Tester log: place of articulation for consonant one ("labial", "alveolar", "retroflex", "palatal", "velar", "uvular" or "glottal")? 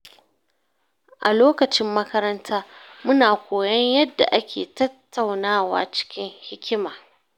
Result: glottal